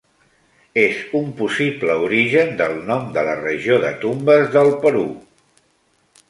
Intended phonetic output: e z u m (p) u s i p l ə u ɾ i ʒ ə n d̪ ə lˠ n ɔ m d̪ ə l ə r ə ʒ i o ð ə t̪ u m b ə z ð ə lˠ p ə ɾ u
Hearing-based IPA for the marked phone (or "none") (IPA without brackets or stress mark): p